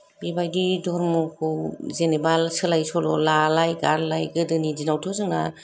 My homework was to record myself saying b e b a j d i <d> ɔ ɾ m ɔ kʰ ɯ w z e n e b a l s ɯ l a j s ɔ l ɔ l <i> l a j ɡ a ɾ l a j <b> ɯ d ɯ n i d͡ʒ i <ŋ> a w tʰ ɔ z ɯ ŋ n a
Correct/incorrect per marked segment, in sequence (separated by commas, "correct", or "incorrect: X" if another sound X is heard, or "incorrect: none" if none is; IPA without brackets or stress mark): correct, incorrect: a, incorrect: ɡ, incorrect: n